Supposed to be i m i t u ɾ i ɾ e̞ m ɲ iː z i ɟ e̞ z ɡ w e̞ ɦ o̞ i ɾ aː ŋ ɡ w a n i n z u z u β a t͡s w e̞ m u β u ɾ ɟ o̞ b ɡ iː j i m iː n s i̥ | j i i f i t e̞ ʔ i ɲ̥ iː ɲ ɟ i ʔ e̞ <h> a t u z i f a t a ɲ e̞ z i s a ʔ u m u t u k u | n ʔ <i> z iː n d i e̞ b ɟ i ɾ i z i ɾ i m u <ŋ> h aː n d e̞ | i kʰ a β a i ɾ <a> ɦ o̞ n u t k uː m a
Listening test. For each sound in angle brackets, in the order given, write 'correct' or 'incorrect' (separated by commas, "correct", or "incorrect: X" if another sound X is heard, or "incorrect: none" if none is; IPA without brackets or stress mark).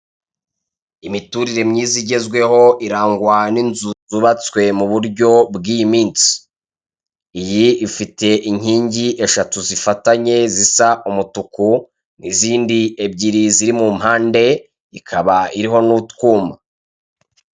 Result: incorrect: ʃ, correct, incorrect: m, incorrect: i